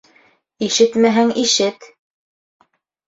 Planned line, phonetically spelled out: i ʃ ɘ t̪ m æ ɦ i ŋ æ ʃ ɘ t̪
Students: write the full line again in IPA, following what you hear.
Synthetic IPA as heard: i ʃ ɘ t̪ m æ ɦ æ ŋ i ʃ ɘ t̪

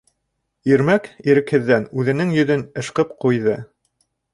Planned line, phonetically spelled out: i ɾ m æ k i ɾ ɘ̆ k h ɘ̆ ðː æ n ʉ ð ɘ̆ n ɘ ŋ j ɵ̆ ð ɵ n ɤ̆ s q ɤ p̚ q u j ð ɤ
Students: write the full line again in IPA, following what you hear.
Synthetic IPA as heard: i ɾ m æ k i ɾ ɘ̆ k h ɘ̆ ðː æ n ʉ ð ɘ̆ n ɘ ŋ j ɵ̆ ð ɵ n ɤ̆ ʃ q ɤ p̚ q u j ð ɤ

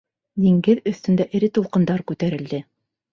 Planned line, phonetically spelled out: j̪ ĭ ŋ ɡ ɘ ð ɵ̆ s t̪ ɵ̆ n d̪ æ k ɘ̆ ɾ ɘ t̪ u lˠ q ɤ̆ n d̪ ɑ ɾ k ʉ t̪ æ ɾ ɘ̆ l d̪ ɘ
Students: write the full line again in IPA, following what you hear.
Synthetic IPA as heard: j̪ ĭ ŋ ɡ ɘ ð ɵ̆ θ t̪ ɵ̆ n d̪ æ ʔ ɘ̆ ɾ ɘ t̪ u lˠ q ɤ̆ n d̪ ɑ ɾ k ʉ t̪ æ ɾ ɘ̆ l d̪ ɘ

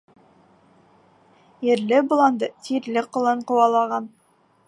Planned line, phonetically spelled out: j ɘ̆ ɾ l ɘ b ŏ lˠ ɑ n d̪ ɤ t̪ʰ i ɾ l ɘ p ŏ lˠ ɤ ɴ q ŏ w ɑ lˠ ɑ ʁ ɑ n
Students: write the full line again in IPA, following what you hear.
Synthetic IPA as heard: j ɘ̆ ɾ l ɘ b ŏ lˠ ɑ n d̪ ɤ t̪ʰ i ɾ l ɘ q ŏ lˠ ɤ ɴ q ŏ w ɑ lˠ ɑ ʁ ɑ n

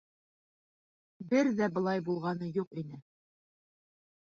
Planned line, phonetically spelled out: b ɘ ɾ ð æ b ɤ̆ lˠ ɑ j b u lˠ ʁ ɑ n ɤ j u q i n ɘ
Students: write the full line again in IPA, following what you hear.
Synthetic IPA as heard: b ɘ ɾ ð æ b ɤ̆ lˠ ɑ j b u lˠ ʁ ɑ n ɤ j u q i n ɘ

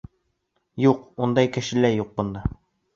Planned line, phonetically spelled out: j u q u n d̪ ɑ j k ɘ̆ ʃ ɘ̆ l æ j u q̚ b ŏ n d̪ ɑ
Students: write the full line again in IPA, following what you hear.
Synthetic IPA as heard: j u q u n d̪ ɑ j k ɘ̆ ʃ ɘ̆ l æ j u q̚ b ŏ n d̪ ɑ

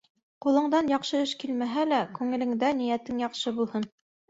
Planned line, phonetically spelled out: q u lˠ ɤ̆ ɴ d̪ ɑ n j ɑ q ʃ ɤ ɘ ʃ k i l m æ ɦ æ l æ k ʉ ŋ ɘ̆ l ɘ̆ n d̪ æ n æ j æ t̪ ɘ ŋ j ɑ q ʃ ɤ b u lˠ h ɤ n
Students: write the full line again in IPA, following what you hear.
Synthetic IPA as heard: q u lˠ ɤ̆ ɴ d̪ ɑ n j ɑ q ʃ ɤ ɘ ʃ k i l m æ ɦ æ l æ k ʉ ŋ ɘ̆ l ɘ̆ ŋ d̪ æ n i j æ t̪ ɘ ŋ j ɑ q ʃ ɤ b u lˠ h ɤ n

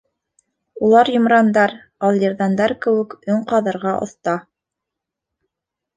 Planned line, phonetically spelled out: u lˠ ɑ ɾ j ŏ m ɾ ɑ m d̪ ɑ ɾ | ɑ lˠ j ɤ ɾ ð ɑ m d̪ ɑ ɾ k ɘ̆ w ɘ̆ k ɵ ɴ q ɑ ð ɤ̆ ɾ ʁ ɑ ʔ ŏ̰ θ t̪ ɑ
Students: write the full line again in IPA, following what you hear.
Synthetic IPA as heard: u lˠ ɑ ɾ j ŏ m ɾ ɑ n d̪ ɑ ɾ | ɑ lˠ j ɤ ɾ ð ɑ n d̪ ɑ ɾ k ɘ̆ w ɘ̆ k ɵ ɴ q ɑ ð ɤ̆ ɾ ʁ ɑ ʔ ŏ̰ θ t̪ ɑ

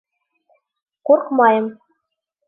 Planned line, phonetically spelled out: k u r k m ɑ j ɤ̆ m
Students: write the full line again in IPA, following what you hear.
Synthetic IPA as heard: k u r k m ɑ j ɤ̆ m

